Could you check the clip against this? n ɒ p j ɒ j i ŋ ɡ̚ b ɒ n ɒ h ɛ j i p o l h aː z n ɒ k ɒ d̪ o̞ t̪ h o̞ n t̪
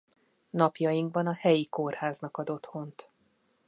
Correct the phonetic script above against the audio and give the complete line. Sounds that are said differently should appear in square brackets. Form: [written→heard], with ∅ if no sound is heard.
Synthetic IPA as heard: n ɒ p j ɒ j i ŋ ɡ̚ b ɒ n ɒ h ɛ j i [p→k] o [l→r] h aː z n ɒ k ɒ d̪ o̞ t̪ h o̞ n t̪